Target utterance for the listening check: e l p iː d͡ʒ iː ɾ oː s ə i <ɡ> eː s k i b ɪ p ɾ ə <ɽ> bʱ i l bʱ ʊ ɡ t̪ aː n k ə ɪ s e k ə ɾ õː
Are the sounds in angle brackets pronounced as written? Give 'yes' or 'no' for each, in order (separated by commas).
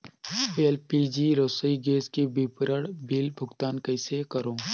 yes, yes